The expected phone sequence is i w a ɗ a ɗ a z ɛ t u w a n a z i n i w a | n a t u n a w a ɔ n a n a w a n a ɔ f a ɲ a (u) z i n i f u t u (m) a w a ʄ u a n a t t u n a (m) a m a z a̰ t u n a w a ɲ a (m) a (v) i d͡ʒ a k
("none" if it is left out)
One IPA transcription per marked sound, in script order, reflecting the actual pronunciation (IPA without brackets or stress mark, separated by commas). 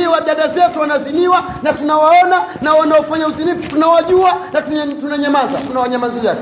u, n, ɲ, m, z